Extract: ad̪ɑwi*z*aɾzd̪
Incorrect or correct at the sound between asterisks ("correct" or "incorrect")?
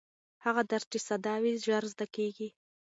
incorrect